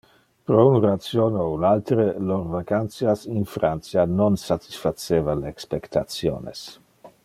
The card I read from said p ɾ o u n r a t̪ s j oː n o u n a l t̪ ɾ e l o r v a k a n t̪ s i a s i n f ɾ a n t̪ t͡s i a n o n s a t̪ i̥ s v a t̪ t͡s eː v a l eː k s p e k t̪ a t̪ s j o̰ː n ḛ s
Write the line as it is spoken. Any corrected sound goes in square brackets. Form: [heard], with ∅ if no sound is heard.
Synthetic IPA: p ɾ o u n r a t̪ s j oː n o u n a l t̪ ɾ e l o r v a k a n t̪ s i a s i n f ɾ a n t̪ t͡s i a n o n s a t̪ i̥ s [f] a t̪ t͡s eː v a l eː k s p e k t̪ a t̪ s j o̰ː n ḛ s